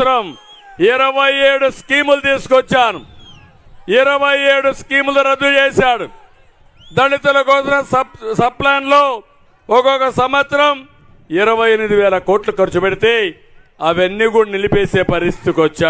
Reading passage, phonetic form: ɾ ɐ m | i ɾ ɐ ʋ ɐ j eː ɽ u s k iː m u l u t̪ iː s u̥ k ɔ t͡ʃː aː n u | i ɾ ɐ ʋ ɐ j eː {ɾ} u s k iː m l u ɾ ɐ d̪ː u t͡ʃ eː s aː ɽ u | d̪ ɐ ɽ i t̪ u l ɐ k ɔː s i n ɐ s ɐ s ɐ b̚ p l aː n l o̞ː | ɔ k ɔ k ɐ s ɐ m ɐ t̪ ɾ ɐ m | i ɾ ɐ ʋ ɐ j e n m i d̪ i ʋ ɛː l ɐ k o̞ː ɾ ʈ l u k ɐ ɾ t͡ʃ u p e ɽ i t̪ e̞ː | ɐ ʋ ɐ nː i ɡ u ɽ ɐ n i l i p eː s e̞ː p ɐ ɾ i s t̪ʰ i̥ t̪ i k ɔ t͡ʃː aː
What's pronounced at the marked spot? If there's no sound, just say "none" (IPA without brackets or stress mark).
ɽ